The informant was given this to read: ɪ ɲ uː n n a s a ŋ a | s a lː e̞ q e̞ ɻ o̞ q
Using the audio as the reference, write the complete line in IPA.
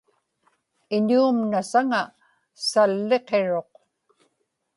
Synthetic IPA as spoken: ɪ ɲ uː m n a s a ŋ a | s a lː e̞ q e̞ ɻ o̞ q

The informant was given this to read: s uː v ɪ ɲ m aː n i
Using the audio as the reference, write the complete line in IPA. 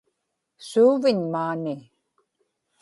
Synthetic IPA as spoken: s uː v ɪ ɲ m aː n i

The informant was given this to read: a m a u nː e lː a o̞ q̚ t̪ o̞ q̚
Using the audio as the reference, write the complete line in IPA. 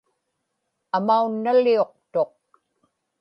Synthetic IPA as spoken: a m a u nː a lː i o̞ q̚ t̪ o̞ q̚

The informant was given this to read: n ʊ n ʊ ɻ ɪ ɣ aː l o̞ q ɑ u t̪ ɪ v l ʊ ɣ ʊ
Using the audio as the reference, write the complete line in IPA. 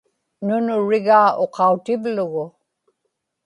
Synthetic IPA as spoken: n ʊ n ʊ ɻ ɪ ɣ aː o̞ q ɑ u t̪ ɪ v l ʊ ɣ ʊ

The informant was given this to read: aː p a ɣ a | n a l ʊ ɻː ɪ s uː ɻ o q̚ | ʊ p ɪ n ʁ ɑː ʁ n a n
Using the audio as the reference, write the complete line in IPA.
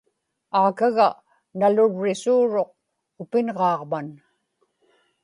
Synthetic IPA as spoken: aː k a ɣ a | n a l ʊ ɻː ɪ s uː ɻ o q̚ | ʊ p ɪ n ʁ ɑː ʁ m a n

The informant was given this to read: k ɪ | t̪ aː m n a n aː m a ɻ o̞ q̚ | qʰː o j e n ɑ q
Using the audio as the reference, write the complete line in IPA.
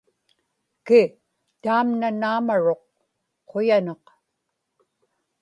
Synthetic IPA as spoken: k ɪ | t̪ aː m n a n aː m a ɻ o̞ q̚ | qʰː o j a n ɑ q

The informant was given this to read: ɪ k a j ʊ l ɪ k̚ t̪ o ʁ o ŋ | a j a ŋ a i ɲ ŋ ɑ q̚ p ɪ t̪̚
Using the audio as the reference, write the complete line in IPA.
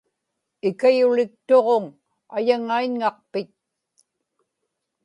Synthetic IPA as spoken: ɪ k a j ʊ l ɪ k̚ t̪ o ʁ o ŋ | a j a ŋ a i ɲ ŋ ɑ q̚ p ɪ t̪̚

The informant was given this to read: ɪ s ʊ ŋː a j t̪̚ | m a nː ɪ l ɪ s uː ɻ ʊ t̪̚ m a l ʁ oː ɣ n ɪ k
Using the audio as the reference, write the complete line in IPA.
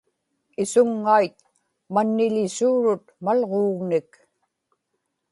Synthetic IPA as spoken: ɪ s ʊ ŋː a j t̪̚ | m a nː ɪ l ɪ s uː ɻ ʊ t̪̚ m a l ʁ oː ɣ n ɪ k

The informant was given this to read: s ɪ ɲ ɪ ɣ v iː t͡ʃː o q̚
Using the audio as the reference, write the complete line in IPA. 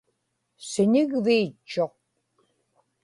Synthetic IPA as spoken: s ɪ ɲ ɪ ɣ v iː t͡ʃː o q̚

